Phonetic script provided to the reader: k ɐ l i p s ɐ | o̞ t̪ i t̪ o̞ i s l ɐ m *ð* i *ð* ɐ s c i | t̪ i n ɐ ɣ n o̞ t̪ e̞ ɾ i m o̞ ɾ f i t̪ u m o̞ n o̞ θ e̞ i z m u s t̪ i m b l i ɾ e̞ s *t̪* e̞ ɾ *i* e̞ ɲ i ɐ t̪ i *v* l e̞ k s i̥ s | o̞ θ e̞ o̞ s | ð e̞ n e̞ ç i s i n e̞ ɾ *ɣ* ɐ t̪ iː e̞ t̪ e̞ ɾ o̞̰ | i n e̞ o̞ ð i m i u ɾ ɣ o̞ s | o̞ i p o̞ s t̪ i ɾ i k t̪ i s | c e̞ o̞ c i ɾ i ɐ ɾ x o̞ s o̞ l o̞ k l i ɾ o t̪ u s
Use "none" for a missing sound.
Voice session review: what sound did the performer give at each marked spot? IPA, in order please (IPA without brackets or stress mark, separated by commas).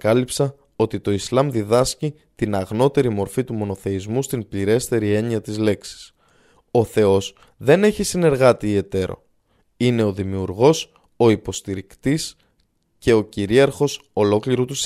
ð, ð, t̪, i, z, ɣ